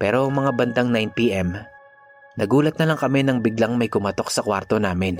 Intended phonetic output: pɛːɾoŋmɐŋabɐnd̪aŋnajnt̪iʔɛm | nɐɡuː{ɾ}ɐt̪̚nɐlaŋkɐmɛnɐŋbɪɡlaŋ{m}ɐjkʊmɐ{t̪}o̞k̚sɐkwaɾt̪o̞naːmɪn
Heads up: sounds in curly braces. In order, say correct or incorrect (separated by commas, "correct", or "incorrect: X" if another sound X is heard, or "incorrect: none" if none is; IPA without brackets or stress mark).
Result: incorrect: l, correct, correct